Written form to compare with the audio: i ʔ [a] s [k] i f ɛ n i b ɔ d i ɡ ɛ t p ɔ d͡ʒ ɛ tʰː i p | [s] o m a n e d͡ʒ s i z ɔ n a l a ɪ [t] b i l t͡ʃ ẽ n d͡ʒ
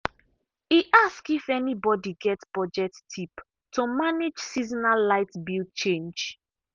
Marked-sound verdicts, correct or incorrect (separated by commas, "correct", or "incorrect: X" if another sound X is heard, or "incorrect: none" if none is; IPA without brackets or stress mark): correct, correct, incorrect: t, correct